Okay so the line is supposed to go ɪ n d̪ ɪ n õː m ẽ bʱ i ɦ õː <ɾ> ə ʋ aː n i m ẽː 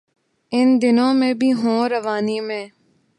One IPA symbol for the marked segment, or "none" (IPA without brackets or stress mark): ɾ